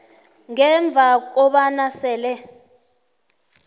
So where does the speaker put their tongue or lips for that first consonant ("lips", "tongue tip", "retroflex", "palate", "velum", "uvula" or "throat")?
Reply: velum